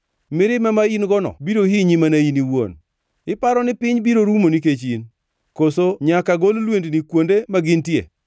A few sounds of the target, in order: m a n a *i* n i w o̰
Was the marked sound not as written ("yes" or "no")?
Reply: no